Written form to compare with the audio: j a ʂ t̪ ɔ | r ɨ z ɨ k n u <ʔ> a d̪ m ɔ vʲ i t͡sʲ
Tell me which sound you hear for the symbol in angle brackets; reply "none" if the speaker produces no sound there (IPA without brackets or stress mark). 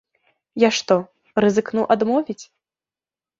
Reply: ʔ